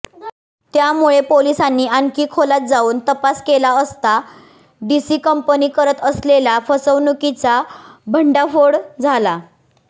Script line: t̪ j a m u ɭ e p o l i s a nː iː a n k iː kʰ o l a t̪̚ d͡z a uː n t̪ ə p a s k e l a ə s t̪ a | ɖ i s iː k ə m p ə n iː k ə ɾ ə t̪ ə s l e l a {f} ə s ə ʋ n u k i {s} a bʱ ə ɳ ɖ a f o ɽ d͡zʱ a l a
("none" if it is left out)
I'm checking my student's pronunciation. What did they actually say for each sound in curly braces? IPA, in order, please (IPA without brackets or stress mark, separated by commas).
f, t͡s